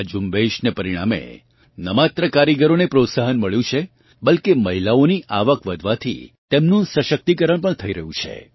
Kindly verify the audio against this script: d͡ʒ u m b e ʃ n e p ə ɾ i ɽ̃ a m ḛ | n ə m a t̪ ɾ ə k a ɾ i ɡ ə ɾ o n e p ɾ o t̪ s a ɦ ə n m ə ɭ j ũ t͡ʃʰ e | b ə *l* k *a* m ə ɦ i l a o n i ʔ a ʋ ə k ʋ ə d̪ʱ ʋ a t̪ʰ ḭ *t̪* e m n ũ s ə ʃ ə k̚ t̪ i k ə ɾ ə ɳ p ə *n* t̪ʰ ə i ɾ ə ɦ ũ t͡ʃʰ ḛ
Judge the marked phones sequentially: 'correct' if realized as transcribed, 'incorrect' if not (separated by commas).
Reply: correct, incorrect, correct, incorrect